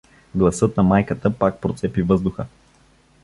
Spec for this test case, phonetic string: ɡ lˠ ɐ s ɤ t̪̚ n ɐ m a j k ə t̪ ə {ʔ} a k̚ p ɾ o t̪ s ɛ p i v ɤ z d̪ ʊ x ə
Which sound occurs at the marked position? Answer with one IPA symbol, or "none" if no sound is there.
p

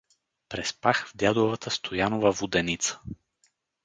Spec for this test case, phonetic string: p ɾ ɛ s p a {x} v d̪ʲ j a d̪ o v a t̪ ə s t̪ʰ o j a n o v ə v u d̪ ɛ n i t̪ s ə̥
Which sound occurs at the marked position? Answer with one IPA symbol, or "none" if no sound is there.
x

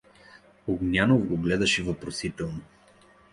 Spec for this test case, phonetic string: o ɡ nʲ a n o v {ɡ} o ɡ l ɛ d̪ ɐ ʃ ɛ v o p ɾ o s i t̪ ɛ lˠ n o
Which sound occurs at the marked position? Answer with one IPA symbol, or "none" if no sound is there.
ɡ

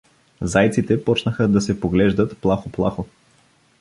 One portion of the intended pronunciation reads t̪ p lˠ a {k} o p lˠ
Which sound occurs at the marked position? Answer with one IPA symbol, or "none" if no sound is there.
x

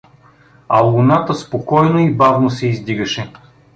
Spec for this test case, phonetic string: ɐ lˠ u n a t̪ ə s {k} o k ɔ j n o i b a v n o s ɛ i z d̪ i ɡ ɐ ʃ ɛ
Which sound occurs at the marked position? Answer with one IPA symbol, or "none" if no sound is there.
p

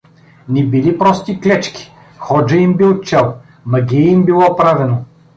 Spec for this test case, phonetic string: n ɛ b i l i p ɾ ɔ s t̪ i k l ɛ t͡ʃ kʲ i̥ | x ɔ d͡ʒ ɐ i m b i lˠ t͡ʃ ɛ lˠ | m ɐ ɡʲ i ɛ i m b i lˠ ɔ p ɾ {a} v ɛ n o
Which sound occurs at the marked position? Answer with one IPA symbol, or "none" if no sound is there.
a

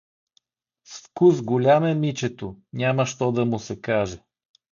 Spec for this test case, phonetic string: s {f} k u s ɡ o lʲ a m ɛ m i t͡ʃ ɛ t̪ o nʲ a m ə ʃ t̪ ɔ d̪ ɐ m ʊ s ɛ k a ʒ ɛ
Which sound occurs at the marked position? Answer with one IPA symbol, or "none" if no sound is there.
f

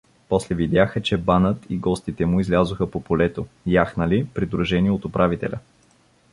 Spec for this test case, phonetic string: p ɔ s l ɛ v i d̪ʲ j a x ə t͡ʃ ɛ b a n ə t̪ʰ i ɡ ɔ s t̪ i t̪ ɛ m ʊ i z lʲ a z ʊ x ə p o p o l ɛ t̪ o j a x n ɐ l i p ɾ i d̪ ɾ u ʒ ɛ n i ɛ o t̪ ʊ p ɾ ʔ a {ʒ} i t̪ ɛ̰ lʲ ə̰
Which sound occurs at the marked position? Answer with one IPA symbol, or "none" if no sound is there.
v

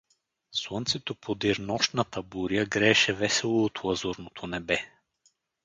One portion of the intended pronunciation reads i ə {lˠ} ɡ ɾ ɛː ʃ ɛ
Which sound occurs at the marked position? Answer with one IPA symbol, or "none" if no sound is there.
none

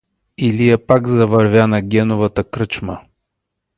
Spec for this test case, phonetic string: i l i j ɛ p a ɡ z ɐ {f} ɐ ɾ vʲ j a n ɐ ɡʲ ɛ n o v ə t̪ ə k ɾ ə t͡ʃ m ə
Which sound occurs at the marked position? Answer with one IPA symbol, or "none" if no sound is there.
v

